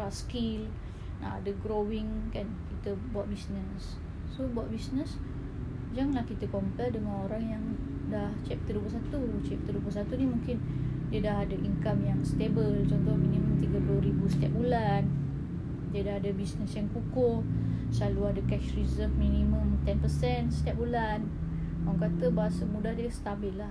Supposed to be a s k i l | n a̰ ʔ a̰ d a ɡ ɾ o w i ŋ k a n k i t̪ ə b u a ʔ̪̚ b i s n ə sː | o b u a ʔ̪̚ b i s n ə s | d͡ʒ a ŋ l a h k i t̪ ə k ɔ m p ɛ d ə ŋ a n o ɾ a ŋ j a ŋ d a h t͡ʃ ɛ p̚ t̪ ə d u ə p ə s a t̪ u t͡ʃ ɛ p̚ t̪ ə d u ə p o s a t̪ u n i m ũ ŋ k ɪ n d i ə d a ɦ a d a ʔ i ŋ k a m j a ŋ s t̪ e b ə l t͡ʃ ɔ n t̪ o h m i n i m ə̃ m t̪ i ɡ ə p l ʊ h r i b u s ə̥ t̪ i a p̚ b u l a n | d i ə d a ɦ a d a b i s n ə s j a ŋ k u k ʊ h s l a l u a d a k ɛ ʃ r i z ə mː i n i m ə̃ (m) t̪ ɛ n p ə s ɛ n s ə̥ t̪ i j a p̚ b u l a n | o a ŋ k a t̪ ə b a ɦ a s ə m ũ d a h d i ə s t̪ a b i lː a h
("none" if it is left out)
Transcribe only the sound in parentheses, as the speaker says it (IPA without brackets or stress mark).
m